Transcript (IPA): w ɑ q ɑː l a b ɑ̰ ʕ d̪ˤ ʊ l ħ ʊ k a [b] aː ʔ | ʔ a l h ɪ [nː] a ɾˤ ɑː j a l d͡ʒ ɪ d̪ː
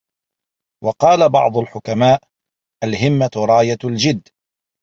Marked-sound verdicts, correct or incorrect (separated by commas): incorrect, incorrect